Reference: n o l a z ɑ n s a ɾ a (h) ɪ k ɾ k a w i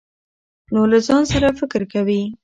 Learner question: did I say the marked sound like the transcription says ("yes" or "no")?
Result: no